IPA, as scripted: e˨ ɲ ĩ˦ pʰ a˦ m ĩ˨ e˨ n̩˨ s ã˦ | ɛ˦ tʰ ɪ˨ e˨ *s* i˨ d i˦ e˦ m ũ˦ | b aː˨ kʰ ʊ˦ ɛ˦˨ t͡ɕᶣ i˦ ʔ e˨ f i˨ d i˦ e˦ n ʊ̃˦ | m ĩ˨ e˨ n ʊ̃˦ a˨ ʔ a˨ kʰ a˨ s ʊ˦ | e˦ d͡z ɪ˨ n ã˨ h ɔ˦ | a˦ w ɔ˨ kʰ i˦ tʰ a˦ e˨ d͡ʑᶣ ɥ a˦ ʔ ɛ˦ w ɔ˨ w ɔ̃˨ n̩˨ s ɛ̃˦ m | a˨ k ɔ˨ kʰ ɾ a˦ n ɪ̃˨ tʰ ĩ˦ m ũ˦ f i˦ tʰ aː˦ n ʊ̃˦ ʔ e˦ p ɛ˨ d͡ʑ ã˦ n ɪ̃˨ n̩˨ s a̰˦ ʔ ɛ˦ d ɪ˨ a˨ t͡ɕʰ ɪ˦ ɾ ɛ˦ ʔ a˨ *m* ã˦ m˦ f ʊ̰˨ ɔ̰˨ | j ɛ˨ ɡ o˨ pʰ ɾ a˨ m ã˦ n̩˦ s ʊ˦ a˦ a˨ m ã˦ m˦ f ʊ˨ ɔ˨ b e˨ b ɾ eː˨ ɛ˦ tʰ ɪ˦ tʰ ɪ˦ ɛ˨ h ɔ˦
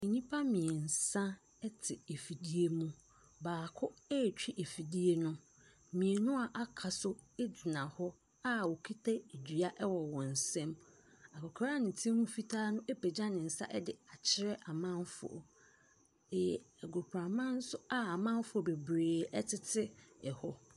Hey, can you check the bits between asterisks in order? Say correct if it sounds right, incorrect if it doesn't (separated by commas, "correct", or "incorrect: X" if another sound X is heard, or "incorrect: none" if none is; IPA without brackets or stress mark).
incorrect: f, correct